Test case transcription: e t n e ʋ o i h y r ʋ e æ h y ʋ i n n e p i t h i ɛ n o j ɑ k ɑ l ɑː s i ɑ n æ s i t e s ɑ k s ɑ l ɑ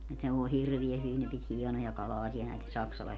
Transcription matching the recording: e t n e ʋ o i h i r ʋ i æ h y ʋ i n n e p i t h i ɛ n o j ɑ k ɑ l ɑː s i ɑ n æ i t e s ɑ k s ɑ l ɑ